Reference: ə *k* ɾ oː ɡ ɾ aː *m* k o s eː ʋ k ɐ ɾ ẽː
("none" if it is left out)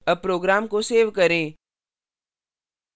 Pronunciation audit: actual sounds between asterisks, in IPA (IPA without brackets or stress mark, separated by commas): p, m